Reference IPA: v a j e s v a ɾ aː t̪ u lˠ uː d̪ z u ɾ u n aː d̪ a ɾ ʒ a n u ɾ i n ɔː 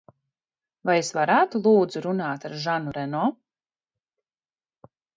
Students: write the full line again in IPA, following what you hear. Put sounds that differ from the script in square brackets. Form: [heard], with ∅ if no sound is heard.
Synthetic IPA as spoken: v a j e s v a ɾ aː t̪ u lˠ uː d̪ z u ɾ u n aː [t̪] a ɾ ʒ a n u ɾ [ɛ] n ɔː